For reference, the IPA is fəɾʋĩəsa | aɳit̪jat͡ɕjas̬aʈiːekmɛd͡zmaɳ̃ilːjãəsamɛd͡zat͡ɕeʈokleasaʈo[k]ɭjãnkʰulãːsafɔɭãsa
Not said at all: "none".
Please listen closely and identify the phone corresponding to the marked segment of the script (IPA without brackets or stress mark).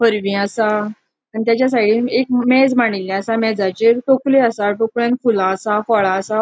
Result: k